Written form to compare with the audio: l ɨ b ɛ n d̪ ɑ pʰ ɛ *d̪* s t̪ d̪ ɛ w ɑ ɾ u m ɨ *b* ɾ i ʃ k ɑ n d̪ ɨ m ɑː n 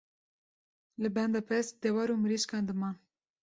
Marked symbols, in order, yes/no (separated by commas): no, no